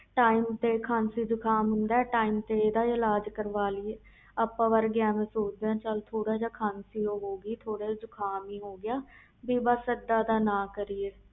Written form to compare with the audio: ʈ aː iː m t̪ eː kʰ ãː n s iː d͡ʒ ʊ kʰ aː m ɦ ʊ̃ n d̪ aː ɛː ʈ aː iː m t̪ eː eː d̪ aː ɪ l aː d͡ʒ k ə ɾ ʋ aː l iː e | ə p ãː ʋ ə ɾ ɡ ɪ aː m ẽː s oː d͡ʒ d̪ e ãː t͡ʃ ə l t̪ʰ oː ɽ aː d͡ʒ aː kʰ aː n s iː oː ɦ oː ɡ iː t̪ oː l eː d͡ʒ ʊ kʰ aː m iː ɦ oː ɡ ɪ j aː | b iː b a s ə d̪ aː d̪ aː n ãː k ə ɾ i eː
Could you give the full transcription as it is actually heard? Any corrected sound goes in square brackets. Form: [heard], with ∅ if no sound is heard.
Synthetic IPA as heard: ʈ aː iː m t̪ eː kʰ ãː n s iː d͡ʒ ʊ kʰ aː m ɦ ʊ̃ n d̪ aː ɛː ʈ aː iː m t̪ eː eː d̪ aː ɪ l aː d͡ʒ k ə ɾ ʋ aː l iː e | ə p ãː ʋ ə ɾ ɡ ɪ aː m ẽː s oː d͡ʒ d̪ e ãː t͡ʃ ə l t̪ʰ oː ɽ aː d͡ʒ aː kʰ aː n s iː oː ɦ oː ɡ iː [t̪ʰ] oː [ɽ] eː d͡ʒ ʊ kʰ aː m iː ɦ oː ɡ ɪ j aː | b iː b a s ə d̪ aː d̪ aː n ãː k ə ɾ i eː